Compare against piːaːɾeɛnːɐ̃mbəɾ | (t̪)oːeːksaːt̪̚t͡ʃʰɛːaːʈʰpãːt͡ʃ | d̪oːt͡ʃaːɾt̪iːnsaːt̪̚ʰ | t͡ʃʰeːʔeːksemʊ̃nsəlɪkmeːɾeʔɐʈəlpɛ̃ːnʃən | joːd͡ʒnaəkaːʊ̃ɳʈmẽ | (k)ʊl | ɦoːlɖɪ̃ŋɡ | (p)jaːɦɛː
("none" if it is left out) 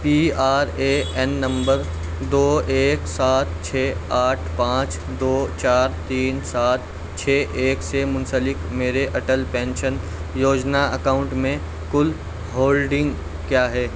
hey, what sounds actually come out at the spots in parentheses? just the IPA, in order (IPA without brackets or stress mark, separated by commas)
d̪, k, k